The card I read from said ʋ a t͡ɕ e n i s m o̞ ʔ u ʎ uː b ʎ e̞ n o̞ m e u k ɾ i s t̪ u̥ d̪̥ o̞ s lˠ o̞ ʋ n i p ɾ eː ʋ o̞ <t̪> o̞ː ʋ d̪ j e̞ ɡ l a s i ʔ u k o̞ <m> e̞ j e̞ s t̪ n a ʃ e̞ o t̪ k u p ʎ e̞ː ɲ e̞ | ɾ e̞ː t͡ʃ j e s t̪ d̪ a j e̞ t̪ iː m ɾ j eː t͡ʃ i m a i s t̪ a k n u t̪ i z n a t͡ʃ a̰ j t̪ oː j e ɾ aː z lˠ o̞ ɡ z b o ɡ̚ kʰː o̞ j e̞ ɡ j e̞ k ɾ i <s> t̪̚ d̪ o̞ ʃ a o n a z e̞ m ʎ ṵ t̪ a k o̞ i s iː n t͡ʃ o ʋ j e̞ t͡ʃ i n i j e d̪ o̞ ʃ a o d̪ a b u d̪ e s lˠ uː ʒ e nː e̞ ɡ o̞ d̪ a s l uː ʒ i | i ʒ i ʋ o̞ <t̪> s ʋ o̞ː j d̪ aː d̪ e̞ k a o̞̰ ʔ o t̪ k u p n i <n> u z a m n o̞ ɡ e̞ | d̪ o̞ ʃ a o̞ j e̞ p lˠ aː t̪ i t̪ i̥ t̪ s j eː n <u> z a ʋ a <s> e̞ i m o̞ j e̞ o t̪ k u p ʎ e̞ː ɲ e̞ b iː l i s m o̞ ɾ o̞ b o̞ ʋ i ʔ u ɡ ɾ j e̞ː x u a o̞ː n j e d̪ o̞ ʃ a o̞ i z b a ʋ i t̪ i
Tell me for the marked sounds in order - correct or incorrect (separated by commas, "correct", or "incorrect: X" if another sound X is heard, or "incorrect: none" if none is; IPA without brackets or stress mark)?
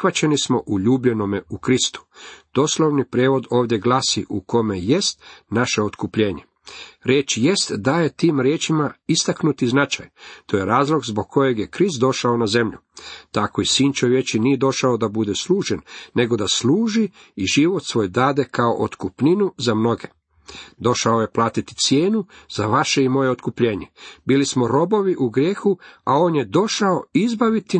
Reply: incorrect: d̪, correct, correct, correct, correct, correct, incorrect: ʃ